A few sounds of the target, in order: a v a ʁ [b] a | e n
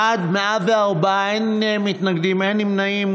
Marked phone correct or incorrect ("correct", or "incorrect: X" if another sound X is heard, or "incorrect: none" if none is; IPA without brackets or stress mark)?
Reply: correct